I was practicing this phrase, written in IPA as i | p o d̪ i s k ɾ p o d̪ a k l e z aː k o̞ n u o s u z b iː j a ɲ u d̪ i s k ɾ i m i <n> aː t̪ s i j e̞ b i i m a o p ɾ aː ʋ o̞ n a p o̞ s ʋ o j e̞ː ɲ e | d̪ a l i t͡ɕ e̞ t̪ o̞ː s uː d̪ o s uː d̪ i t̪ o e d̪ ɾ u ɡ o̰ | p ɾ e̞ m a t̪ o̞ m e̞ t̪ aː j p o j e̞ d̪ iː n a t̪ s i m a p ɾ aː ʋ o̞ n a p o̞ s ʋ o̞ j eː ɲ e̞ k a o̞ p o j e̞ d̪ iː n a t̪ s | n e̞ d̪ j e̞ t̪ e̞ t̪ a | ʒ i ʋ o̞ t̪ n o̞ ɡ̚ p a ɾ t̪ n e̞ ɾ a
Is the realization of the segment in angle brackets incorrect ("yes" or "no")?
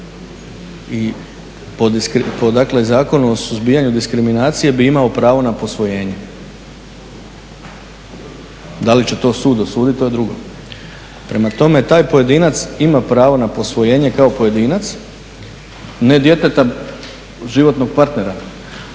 no